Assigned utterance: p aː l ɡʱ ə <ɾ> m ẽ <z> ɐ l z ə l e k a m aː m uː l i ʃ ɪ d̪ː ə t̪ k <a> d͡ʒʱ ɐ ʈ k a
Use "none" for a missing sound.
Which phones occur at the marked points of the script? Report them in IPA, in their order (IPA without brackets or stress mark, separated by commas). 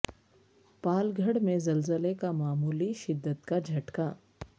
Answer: ɽ, z, a